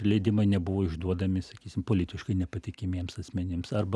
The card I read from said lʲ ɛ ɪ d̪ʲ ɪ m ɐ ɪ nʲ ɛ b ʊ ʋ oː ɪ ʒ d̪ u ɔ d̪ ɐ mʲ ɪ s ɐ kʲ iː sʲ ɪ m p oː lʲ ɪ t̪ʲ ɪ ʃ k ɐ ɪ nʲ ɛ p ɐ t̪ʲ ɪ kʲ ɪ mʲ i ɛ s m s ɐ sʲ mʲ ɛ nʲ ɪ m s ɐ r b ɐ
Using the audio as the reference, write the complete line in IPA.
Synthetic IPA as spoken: lʲ ɛ ɪ d̪ʲ ɪ m ɐ ɪ nʲ ɛ b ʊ ʋ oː ɪ ʒ d̪ u ɔ d̪ ɐ mʲ ɪ s ɐ kʲ iː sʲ ɪ m p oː lʲ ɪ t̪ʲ ɪ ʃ k ɐ ɪ nʲ ɛ p ɐ t̪ʲ ɪ kʲ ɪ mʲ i ɛ m s ɐ sʲ mʲ ɛ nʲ ɪ m s ɐ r b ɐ